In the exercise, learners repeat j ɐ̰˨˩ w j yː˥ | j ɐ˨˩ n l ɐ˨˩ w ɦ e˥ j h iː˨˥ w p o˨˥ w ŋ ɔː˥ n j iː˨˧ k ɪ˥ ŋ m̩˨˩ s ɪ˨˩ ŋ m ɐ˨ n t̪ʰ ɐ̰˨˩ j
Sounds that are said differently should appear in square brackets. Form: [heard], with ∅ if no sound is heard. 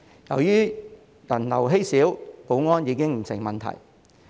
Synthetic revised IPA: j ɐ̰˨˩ w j yː˥ | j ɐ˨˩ n l ɐ˨˩ w ɦ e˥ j [s] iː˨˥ w p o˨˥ w ŋ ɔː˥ n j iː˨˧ k ɪ˥ ŋ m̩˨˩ s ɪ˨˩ ŋ m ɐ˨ n t̪ʰ ɐ̰˨˩ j